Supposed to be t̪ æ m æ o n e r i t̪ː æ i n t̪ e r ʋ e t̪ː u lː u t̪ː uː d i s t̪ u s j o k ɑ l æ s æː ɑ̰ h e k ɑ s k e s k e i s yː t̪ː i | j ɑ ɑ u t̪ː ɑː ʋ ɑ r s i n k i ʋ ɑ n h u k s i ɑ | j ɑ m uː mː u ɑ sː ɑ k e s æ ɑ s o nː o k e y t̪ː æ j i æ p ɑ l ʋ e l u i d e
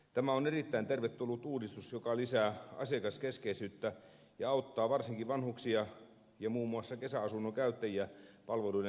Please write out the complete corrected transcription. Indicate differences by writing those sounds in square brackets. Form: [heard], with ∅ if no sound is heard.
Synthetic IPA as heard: t̪ æ m æ o n e r i t̪ː æ i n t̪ e r ʋ e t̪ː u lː u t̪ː uː d i s t̪ u s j o k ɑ l [i] s æː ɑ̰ [s] e k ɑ s k e s k e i s yː t̪ː [æ] | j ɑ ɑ u t̪ː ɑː ʋ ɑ r s i [ŋ] k i ʋ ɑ n h u k s i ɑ | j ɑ m uː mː u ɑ sː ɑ k e s æ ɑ s [u] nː o k [æ] y t̪ː æ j i æ p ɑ l ʋ e l u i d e